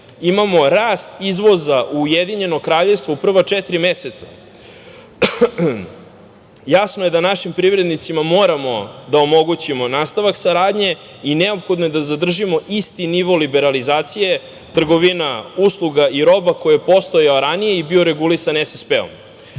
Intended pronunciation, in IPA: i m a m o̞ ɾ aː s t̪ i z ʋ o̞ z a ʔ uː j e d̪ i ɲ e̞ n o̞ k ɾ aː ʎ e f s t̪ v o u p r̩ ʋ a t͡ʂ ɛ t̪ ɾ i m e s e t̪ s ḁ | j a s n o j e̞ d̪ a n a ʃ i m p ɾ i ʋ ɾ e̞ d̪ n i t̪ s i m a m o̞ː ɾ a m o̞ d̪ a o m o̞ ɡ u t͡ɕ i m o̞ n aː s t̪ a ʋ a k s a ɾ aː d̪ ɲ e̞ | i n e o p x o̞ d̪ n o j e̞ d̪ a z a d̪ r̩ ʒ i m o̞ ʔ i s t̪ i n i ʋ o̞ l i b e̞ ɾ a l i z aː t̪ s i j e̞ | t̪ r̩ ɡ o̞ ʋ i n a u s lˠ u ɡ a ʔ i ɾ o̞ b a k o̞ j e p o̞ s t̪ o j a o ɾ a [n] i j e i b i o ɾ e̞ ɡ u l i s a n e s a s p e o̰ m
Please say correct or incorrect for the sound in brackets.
correct